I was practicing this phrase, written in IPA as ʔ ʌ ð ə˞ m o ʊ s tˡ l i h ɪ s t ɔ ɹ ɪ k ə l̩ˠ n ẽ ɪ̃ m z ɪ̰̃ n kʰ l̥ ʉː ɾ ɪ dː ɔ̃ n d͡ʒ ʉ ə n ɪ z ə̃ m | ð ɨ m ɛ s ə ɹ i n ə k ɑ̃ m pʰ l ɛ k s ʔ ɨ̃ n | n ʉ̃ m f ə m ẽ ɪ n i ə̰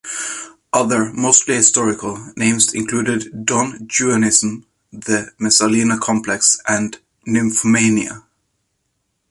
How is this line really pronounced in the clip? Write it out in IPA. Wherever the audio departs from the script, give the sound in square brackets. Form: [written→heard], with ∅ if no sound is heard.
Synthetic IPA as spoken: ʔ ʌ ð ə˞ m o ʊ s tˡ l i h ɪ s t ɔ ɹ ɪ k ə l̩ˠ n ẽ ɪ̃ m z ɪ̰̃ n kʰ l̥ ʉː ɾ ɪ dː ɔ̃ n d͡ʒ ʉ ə n ɪ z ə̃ m | ð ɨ m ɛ s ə [ɹ→l] i n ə [k→kʰ] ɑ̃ m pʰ l ɛ k s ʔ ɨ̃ n | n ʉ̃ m f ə m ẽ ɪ n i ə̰